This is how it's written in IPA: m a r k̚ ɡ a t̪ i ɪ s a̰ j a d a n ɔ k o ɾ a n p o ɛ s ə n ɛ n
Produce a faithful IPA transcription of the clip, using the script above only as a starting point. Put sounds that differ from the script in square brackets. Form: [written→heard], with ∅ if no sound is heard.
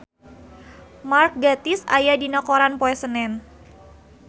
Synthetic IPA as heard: m a r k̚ ɡ a t̪ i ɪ s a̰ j a d [a→i] n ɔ k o ɾ a n p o ɛ s ə n ɛ n